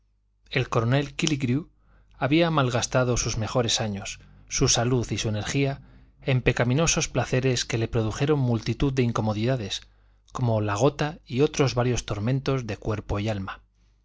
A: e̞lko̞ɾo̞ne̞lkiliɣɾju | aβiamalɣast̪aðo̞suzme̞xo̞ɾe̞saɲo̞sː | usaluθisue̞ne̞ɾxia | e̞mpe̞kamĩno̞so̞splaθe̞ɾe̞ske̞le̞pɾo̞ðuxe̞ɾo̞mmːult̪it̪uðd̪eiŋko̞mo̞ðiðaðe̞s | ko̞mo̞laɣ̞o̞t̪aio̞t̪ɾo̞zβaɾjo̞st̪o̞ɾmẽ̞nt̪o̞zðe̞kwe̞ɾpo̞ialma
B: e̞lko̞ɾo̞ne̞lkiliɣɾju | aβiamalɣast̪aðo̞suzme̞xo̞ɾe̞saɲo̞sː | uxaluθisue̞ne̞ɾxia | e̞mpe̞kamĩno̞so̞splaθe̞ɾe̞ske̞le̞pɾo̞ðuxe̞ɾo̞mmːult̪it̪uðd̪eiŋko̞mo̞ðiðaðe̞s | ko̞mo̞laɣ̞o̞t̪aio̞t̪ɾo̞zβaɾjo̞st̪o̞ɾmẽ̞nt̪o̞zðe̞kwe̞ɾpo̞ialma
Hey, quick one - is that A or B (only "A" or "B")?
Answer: A